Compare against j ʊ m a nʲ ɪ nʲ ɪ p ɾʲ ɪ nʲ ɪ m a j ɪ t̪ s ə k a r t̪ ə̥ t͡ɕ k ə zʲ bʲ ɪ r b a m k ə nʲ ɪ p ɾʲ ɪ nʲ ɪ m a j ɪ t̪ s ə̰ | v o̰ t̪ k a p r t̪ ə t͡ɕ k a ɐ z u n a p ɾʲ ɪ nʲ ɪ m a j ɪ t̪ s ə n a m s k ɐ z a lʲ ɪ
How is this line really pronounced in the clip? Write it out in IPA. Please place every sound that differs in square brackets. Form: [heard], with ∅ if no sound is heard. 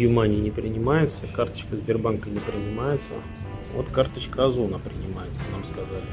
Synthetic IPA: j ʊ m a nʲ ɪ nʲ ɪ p ɾʲ ɪ nʲ ɪ m a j ɪ t̪ s ə k a r t̪ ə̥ t͡ɕ k ə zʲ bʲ ɪ r b a [n] k ə nʲ ɪ p ɾʲ ɪ nʲ ɪ m a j ɪ t̪ s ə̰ | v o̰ t̪ k a [∅] r t̪ ə t͡ɕ k [ə] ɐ z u n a p ɾʲ ɪ nʲ ɪ m a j ɪ t̪ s ə n a m s k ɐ z a lʲ ɪ